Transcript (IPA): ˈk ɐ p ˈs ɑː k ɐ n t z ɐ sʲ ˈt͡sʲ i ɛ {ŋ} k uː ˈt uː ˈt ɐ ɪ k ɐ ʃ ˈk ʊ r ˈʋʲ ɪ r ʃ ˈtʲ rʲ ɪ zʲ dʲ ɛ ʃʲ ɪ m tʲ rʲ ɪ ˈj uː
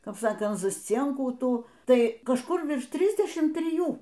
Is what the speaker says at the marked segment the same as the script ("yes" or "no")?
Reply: yes